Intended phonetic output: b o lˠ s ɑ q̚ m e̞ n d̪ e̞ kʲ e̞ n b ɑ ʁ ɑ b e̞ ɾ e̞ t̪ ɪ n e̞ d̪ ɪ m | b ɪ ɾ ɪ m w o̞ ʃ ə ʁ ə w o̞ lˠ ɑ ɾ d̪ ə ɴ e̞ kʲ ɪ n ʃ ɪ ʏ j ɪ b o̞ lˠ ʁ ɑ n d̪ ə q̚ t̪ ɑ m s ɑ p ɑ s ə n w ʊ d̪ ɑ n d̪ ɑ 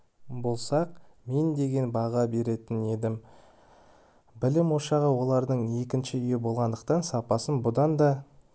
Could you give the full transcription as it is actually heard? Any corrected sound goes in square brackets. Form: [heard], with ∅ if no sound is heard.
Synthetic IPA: b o lˠ s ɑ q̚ m e̞ n d̪ e̞ [ɡʲ] e̞ n b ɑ ʁ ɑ b e̞ ɾ e̞ t̪ ɪ n e̞ d̪ ɪ m | b ɪ [l] ɪ m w o̞ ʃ [ɑ] ʁ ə w o̞ lˠ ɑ ɾ d̪ ə ɴ e̞ kʲ ɪ n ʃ ɪ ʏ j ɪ b o̞ lˠ ʁ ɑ n d̪ ə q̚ t̪ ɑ [n] s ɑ p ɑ s ə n [b] ʊ d̪ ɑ n d̪ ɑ